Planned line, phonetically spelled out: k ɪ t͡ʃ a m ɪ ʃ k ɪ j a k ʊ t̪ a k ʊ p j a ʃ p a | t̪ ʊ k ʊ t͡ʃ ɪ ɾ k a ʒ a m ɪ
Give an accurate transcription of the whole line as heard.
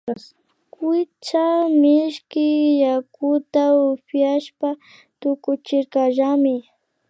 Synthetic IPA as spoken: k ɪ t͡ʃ a m ɪ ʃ k ɪ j a k ʊ t̪ a ʊ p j a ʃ p a | t̪ ʊ k ʊ t͡ʃ ɪ ɾ k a ʒ a m ɪ